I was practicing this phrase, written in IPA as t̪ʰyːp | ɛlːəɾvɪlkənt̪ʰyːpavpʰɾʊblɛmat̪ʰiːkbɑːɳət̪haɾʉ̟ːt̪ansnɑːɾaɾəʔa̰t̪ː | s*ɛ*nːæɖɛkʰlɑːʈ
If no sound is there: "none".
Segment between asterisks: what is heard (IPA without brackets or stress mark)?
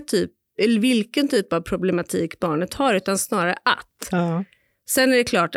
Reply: ɛ